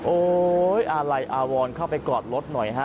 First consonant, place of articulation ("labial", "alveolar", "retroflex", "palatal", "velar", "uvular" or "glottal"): glottal